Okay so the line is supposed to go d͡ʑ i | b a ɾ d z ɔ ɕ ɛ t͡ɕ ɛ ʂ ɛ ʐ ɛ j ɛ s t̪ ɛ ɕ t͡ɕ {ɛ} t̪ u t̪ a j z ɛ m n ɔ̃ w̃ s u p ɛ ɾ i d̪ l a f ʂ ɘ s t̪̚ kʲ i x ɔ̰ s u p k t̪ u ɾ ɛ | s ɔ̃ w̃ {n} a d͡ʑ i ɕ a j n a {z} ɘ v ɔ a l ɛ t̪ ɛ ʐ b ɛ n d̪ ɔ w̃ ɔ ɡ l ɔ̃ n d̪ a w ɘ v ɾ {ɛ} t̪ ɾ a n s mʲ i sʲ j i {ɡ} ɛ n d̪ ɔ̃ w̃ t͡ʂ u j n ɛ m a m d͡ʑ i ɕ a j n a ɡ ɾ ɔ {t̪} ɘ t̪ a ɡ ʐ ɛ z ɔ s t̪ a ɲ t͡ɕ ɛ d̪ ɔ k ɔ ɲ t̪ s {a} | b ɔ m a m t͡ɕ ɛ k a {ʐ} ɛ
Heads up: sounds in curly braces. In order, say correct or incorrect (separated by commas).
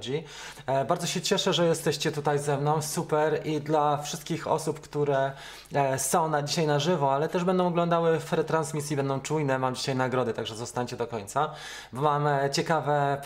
correct, correct, incorrect, correct, incorrect, incorrect, correct, incorrect